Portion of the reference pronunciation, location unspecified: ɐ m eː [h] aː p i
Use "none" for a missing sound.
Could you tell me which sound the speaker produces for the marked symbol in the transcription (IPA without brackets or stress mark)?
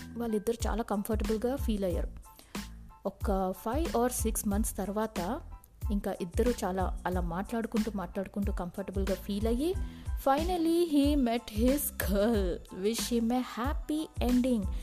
h